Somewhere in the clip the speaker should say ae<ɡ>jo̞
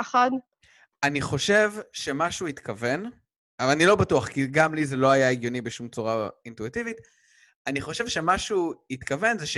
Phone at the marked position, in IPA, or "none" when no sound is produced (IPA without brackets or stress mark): ɡ